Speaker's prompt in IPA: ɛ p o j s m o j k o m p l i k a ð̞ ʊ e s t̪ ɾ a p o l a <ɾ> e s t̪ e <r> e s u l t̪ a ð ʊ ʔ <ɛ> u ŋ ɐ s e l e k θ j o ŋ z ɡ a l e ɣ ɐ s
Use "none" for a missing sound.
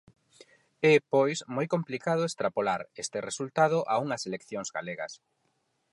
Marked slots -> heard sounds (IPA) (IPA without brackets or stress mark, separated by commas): ɾ, r, a